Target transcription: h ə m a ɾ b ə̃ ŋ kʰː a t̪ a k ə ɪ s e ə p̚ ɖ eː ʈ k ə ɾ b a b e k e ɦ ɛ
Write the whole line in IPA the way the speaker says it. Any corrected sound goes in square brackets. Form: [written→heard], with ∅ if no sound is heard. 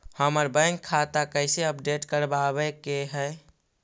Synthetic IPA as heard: h ə m [a→ə] ɾ b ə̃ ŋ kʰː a t̪ a k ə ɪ s e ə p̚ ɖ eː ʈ k ə ɾ b a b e k e ɦ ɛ